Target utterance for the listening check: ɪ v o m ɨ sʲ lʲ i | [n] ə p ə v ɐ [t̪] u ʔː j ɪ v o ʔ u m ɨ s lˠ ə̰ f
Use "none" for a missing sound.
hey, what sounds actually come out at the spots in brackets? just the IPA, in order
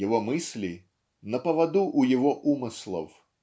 n, d̪

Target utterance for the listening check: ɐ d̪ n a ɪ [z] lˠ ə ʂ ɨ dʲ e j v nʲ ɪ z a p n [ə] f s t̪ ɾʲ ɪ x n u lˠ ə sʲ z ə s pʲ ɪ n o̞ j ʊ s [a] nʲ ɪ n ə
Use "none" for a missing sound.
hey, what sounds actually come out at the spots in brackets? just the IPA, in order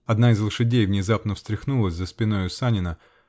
z, ə, a

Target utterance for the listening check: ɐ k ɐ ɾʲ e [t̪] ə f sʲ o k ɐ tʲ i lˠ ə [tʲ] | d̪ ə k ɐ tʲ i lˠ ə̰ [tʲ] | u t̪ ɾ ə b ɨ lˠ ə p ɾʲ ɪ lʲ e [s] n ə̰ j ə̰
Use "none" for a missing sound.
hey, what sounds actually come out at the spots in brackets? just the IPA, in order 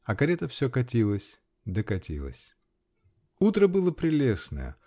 t̪, sʲ, sʲ, s

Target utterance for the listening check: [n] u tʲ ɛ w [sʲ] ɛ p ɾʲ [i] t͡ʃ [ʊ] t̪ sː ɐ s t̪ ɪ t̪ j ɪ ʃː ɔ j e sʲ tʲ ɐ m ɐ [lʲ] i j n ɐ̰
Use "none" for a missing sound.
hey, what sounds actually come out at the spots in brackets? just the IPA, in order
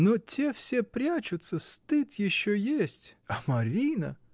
n, sʲ, a, ʊ, ɾʲ

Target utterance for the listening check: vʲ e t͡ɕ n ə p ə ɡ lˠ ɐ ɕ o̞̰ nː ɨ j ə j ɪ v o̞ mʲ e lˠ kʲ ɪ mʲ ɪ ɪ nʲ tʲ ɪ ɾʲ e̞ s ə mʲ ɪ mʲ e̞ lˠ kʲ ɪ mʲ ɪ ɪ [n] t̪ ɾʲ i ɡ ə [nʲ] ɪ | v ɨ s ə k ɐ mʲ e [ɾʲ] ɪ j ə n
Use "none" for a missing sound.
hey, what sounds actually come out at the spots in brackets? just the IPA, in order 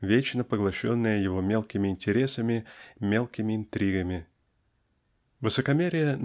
n, mʲ, ɾʲ

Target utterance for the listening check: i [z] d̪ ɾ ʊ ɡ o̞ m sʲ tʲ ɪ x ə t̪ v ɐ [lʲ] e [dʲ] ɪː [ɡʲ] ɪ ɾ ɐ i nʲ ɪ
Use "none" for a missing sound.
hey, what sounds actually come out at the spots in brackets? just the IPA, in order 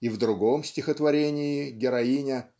v, ɾʲ, nʲ, ɡʲ

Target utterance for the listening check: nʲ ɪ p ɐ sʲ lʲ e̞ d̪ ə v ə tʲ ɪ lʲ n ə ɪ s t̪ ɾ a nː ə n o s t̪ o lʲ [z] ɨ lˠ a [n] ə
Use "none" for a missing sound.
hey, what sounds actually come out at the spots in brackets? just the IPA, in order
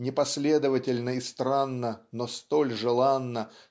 ʐ, nː

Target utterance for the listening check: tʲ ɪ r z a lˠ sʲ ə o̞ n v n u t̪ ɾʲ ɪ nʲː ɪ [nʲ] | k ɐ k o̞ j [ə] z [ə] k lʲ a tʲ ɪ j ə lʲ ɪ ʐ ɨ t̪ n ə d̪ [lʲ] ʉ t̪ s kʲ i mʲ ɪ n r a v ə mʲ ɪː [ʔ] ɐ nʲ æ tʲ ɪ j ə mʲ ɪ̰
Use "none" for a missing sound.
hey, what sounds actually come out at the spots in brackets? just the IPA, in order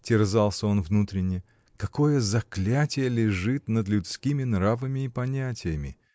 none, ə, ɐ, lʲ, p

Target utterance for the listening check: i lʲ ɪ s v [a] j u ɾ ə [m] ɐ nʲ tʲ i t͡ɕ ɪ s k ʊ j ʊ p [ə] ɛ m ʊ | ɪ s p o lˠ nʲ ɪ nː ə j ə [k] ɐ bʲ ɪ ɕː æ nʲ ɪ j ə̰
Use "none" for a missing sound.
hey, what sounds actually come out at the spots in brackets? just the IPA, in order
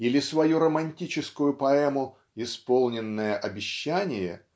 ɐ, m, ɐ, ʔ

